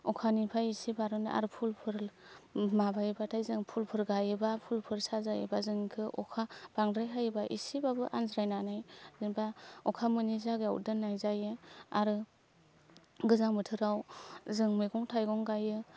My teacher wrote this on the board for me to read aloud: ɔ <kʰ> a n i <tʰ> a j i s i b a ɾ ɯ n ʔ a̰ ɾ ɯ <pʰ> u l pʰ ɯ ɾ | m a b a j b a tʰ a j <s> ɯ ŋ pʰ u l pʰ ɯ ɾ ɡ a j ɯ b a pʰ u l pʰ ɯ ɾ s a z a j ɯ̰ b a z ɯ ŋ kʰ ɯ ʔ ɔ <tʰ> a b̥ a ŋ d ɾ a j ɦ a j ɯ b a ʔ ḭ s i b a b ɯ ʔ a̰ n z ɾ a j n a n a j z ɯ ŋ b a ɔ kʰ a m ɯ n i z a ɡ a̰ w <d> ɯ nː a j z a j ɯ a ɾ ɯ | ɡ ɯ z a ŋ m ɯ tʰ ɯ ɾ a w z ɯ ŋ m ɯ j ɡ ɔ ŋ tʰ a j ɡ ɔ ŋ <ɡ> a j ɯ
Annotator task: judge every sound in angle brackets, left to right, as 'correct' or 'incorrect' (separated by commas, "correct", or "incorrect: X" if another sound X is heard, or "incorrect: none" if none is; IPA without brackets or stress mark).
correct, incorrect: pʰ, correct, incorrect: z, incorrect: kʰ, correct, correct